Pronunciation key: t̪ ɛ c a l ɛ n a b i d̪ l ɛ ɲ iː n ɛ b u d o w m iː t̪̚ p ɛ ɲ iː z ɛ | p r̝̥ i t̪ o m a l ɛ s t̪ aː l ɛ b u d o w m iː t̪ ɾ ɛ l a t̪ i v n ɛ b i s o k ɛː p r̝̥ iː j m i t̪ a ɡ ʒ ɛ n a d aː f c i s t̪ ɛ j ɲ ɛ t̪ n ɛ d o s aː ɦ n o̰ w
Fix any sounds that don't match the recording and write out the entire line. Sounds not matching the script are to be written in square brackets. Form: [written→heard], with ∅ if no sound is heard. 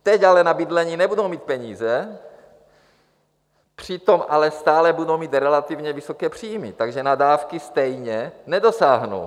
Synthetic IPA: t̪ ɛ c a l ɛ n a b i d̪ l ɛ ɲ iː n ɛ b u d o w m iː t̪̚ p ɛ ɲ iː z ɛ | p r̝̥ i t̪ o m a l ɛ s t̪ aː l ɛ b u d o w m iː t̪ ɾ ɛ l a t̪ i v [n→ɲ] ɛ [b→v] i s o k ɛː p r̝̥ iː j m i t̪ a ɡ ʒ ɛ n a d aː f [c→k] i s t̪ ɛ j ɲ ɛ [t̪→∅] n ɛ d o s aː ɦ n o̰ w